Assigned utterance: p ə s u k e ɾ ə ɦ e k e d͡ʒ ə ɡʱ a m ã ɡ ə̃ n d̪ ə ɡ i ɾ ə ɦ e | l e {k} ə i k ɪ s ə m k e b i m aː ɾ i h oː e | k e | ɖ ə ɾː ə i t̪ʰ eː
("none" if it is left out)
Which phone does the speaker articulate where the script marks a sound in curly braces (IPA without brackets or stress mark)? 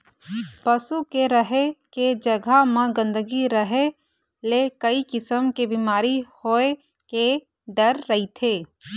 k